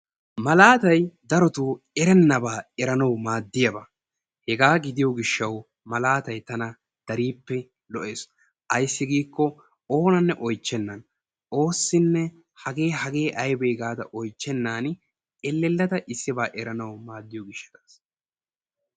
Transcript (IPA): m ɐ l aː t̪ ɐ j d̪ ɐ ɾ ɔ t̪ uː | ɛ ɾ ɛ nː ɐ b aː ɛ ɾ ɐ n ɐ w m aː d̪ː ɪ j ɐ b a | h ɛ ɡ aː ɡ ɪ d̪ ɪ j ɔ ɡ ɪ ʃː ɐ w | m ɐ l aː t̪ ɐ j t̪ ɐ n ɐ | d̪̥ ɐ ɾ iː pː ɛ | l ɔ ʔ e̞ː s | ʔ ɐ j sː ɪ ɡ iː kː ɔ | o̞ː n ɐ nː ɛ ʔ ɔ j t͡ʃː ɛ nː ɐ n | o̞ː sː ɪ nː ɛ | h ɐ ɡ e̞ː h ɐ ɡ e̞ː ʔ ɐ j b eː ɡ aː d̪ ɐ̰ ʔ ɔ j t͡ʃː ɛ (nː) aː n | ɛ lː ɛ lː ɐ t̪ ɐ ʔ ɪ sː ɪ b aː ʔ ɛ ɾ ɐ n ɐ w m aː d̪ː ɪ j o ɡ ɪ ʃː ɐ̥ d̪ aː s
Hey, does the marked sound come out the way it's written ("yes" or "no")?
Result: yes